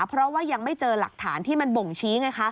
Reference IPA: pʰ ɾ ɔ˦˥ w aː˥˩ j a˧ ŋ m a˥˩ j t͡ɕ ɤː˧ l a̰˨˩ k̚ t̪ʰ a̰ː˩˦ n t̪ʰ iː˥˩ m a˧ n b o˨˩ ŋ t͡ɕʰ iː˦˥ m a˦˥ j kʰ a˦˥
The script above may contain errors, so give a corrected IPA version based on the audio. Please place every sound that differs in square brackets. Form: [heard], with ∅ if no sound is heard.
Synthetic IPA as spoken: pʰ ɾ ɔ˦˥ w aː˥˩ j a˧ ŋ m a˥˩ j t͡ɕ ɤː˧ l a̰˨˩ k̚ t̪ʰ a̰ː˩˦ n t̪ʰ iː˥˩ m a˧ n b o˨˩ ŋ t͡ɕʰ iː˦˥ [ŋ] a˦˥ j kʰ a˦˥